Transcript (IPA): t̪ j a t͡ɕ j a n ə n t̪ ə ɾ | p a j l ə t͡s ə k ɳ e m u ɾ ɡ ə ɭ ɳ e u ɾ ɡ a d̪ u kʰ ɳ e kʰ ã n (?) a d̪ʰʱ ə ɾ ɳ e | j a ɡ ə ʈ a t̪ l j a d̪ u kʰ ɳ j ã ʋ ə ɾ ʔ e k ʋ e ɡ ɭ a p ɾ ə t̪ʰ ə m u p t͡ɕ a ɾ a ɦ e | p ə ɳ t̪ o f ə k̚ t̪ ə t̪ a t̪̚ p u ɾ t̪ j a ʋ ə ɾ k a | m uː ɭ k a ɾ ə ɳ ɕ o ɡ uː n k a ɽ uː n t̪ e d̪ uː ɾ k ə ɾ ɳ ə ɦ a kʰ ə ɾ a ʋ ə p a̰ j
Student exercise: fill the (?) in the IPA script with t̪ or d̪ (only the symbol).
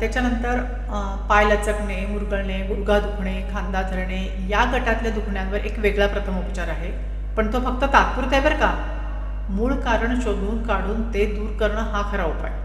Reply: d̪